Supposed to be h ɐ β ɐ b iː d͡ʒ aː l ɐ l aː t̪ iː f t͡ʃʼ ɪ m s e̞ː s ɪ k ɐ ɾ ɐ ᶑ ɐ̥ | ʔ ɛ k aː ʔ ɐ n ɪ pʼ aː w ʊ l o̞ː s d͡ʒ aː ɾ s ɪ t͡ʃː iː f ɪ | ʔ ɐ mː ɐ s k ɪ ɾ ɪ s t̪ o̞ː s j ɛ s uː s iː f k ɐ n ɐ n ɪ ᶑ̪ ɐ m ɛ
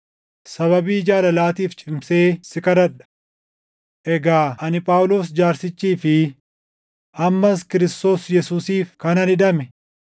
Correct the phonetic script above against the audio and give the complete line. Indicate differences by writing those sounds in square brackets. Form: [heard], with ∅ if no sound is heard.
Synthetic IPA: [s] ɐ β ɐ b iː d͡ʒ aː l ɐ l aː t̪ iː f t͡ʃʼ ɪ m s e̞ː s ɪ k ɐ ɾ ɐ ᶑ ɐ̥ | ʔ ɛ [ɡ] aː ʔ ɐ n ɪ pʼ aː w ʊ l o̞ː s d͡ʒ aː ɾ s ɪ t͡ʃː iː f ɪ | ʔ ɐ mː ɐ s k ɪ ɾ ɪ s t̪ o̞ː s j ɛ s uː s iː f k ɐ n ɐ n ɪ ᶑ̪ ɐ m ɛ